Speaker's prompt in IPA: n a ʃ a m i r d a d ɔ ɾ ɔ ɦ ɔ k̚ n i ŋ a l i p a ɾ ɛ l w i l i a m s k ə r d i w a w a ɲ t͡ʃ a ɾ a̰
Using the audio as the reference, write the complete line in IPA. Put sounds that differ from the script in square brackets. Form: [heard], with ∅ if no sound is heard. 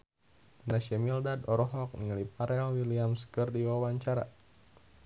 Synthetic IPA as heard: n a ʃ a m i [l] d a d ɔ ɾ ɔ ɦ ɔ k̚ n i ŋ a l i p a ɾ ɛ l w i l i a m s k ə r d i w a w a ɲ t͡ʃ a ɾ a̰